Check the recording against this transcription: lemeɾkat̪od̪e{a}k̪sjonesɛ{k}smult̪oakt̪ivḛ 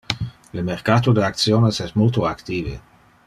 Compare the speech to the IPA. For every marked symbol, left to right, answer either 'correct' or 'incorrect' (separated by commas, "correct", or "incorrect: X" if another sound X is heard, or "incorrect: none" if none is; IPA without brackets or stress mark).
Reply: correct, incorrect: none